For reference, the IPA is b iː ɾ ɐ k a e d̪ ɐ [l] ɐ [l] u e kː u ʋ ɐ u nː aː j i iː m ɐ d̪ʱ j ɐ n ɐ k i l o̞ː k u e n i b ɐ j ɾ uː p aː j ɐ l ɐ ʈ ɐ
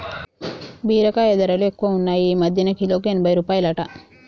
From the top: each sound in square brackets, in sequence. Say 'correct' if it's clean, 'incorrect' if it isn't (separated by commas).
incorrect, correct